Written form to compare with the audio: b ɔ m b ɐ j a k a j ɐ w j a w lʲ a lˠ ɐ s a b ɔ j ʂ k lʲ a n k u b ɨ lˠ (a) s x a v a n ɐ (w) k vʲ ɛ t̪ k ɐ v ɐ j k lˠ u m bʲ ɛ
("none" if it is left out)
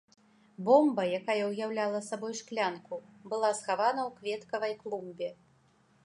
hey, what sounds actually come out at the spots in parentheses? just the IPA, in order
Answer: a, w

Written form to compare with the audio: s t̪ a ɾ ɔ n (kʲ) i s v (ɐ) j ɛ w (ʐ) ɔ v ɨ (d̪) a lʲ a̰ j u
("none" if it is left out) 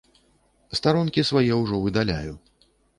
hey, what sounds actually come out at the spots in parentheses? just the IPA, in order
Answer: kʲ, a, ʐ, d̪

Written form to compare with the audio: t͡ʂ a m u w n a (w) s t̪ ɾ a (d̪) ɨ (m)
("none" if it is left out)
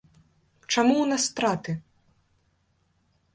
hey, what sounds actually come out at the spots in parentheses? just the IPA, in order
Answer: none, t̪, none

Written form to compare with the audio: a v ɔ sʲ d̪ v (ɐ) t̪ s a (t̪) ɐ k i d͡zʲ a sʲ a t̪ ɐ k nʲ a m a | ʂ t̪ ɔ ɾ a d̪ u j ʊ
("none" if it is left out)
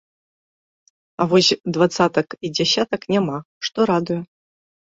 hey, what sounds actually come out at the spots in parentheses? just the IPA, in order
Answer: a, t̪

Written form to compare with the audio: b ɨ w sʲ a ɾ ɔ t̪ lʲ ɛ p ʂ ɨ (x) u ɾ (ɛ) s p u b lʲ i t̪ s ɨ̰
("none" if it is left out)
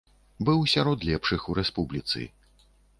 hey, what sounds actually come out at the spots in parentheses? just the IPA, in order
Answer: x, ɛ

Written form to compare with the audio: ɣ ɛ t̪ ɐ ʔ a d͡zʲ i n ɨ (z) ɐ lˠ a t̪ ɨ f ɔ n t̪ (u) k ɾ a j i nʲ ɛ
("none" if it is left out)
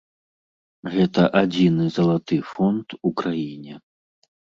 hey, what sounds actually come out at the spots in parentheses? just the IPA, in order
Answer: z, u

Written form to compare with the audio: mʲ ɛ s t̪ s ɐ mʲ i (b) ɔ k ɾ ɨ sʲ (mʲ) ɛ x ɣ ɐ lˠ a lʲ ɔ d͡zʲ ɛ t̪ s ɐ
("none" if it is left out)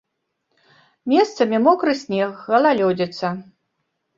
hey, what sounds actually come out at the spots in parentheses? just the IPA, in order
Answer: m, nʲ

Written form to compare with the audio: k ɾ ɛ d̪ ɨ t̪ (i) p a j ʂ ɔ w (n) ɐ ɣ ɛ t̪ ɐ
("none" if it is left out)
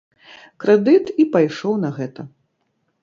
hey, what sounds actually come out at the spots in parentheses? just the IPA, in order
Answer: i, n

